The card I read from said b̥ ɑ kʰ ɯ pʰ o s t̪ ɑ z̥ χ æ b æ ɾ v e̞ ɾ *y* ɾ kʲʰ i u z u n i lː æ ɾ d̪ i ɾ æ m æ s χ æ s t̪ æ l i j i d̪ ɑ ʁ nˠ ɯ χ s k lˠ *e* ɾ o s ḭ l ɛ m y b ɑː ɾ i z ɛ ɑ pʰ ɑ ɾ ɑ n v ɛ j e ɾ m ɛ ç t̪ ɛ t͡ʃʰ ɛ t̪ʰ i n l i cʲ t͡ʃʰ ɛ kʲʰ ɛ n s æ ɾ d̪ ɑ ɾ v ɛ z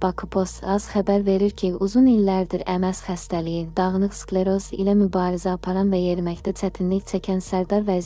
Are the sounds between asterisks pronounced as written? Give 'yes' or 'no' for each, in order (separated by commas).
no, yes